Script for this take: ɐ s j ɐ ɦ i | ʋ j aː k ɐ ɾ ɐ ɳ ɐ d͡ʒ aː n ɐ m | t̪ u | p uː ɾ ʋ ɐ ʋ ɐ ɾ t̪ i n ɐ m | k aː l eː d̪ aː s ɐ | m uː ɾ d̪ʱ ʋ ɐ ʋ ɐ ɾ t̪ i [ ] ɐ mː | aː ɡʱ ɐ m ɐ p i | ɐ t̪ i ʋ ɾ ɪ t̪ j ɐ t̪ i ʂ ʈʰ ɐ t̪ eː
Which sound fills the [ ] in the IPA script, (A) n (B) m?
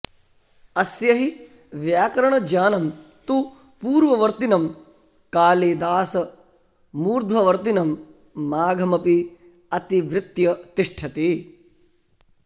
A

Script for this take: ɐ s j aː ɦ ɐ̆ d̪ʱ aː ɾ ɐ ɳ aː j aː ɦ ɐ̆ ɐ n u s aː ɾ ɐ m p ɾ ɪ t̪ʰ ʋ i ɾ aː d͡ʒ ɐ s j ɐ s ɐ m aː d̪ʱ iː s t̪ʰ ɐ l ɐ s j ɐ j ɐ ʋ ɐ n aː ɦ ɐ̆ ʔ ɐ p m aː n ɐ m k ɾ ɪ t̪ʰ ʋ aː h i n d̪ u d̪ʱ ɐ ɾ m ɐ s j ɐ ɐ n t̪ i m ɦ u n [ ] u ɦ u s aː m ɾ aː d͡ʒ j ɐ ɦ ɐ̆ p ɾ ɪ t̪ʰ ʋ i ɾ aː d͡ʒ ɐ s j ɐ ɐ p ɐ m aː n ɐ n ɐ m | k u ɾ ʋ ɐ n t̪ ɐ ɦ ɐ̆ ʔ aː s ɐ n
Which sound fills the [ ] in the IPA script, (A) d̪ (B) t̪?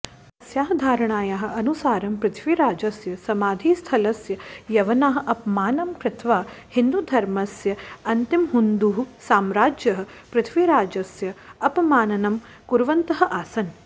A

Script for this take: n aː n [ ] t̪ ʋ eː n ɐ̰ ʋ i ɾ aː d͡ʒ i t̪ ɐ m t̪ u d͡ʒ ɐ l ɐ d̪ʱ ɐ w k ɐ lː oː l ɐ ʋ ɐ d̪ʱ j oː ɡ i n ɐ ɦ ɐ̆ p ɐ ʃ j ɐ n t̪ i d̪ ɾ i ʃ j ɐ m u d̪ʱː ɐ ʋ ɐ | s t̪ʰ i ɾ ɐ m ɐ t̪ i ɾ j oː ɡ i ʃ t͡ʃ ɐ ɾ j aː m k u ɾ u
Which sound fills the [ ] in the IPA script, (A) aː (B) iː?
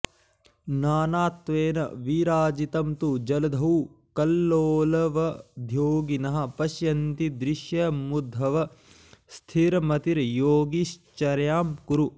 A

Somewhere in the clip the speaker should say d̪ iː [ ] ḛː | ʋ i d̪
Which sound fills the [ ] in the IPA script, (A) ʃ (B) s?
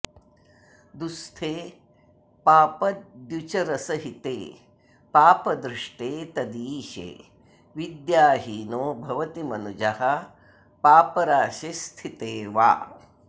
A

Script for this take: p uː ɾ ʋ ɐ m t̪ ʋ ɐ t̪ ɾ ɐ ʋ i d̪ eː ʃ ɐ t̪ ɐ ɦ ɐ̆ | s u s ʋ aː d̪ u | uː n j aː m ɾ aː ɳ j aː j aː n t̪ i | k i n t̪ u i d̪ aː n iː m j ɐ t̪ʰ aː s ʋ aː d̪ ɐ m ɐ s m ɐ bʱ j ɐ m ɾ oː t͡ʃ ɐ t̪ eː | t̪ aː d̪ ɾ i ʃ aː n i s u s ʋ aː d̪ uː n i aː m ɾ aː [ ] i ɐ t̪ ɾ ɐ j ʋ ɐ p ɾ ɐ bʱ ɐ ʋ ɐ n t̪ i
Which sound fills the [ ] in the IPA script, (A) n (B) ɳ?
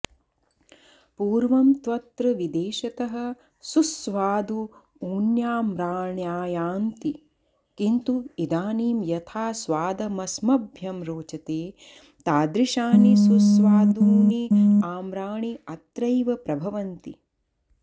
B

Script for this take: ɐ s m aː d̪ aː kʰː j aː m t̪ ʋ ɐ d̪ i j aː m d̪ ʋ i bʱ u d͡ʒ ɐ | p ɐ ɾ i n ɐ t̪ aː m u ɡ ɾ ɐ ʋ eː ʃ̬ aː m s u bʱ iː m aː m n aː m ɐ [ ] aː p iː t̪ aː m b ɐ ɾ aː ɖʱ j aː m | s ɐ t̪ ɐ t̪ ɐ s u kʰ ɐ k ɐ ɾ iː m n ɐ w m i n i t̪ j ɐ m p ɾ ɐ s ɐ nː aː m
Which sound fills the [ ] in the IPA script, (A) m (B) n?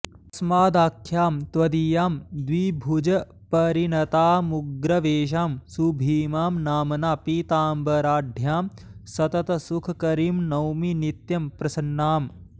B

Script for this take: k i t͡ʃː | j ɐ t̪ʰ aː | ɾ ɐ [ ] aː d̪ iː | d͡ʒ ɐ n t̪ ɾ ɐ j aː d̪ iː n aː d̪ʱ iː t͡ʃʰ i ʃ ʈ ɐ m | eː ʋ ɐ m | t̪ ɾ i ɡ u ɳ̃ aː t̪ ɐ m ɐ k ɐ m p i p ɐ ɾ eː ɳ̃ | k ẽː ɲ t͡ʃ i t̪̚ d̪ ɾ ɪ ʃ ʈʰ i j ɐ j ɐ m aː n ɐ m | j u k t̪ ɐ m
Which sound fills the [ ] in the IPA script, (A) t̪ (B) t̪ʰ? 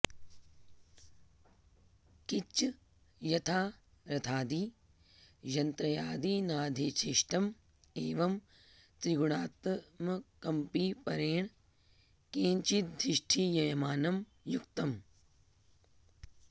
B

